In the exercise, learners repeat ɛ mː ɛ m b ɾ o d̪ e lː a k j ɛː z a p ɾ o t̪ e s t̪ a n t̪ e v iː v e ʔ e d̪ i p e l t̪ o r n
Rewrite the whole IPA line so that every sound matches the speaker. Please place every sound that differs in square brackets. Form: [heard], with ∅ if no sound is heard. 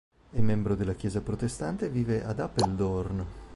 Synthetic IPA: ɛ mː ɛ m b ɾ o d̪ e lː a k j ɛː z a p ɾ o t̪ e s t̪ a n t̪ e v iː v e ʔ [a] d̪ [a] p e l [d̪] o r n